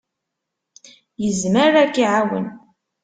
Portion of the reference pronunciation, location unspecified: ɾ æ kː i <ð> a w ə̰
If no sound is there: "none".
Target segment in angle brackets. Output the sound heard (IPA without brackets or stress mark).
ʕ